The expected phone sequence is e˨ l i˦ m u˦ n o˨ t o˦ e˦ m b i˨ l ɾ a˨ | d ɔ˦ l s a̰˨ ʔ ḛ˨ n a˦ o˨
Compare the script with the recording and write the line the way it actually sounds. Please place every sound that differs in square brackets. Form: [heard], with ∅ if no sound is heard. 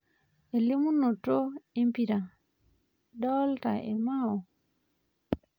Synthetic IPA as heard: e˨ l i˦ m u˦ n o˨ t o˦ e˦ m [p] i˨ [∅] ɾ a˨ | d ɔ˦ l [t] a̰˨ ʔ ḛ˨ [m] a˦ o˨

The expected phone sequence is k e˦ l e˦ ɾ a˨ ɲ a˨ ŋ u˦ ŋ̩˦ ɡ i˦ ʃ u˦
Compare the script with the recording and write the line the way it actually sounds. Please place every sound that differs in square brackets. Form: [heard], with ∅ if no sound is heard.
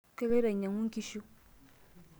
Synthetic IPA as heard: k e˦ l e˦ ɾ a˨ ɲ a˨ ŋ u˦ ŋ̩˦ [k] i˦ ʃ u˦

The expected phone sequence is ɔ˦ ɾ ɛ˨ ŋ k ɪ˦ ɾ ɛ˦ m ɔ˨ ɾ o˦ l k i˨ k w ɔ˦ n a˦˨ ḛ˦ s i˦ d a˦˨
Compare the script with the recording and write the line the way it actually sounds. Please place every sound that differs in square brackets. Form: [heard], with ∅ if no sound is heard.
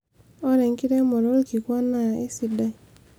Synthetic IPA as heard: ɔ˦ ɾ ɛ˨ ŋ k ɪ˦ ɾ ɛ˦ m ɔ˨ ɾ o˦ l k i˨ k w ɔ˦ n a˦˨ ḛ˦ s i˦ d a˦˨

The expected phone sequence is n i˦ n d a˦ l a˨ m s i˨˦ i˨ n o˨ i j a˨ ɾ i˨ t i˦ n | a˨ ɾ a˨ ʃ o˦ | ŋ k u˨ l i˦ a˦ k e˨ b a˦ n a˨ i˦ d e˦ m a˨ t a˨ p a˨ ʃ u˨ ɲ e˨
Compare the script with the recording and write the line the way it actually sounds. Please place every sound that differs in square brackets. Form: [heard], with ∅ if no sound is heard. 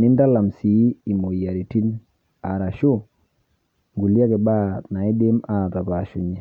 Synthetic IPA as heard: n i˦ n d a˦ l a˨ m s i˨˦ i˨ [m] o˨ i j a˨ ɾ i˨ t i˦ n | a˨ ɾ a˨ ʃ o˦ | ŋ [ɡ] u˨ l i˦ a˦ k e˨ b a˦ n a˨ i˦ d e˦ m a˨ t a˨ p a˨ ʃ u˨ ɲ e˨

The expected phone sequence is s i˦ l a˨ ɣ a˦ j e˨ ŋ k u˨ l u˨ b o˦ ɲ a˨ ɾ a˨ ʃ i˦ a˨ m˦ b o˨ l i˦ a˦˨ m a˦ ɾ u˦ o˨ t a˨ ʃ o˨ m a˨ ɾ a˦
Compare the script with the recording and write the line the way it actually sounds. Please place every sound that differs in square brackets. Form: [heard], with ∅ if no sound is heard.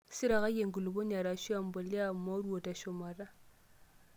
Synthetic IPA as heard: s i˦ [ɾ] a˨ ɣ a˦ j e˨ ŋ [ɡ] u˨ l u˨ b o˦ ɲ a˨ ɾ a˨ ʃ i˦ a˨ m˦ b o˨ l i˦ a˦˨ m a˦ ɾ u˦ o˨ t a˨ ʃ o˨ m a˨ ɾ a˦

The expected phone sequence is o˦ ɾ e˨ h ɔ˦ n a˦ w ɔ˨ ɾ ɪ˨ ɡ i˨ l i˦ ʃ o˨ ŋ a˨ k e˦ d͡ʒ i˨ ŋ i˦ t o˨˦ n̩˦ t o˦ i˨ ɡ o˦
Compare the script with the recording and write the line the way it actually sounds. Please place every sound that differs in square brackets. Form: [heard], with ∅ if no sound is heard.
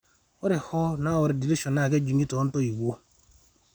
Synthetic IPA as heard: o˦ ɾ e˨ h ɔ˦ n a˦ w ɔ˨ ɾ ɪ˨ [d] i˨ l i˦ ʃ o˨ [n] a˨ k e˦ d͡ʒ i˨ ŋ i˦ t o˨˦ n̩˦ t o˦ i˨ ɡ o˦

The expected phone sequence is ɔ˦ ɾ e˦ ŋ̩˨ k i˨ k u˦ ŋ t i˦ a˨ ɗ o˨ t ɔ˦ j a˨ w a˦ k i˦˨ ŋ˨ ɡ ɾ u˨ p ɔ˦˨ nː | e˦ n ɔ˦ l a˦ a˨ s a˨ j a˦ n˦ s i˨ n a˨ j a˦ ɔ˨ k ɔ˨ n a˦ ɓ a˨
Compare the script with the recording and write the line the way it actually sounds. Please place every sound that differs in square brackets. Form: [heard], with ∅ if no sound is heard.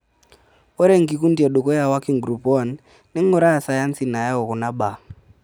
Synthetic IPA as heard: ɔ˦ ɾ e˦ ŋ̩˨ k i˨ k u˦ [n] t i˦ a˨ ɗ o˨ [k] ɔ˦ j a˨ w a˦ k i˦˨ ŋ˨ ɡ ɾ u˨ p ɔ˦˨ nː | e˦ [ŋ] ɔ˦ [ɾ] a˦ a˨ s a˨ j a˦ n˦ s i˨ n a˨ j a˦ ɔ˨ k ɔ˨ n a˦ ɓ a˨

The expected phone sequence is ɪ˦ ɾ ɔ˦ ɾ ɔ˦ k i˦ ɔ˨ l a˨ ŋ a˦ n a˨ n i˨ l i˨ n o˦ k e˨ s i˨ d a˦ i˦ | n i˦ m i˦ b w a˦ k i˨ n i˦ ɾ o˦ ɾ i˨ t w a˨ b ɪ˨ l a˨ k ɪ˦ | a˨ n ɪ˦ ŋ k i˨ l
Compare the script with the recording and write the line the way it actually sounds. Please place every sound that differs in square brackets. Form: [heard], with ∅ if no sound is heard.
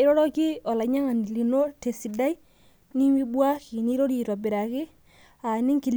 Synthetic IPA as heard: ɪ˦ ɾ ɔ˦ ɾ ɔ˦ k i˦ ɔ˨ l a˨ [ɲ] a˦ [ŋ] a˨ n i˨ l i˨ n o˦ [t] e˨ s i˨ d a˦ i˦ | n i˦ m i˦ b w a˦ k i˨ n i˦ ɾ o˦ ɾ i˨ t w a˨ b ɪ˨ [ɾ] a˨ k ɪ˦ | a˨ n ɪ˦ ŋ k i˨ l

